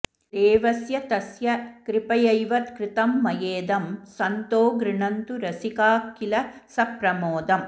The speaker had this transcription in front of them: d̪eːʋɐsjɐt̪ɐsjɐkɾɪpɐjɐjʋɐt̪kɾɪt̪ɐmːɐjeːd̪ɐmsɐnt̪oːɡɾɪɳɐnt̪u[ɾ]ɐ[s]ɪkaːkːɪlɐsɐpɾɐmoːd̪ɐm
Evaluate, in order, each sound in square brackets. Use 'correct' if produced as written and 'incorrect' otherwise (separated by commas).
correct, correct